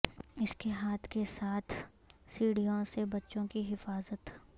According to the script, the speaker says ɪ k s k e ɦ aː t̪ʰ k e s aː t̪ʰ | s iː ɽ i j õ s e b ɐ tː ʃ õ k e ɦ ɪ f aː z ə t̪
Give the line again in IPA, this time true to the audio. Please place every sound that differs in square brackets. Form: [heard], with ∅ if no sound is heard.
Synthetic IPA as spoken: ɪ [∅] s k e ɦ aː t̪ʰ k e s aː t̪ʰ | s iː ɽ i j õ s e b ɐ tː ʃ õ k [i] ɦ ɪ f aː z ə t̪